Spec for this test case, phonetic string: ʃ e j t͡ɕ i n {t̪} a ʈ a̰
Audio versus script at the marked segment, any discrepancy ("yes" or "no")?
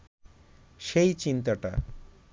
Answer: no